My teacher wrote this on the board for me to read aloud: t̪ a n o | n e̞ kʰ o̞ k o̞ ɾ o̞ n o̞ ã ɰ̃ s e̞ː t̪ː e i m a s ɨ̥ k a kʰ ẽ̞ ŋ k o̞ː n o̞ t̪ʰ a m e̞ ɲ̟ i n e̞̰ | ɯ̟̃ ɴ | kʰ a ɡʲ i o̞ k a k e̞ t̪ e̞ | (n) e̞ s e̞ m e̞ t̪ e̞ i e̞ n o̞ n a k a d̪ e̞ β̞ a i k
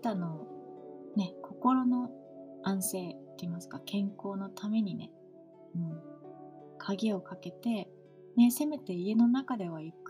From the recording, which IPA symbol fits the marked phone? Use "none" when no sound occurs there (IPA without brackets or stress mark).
n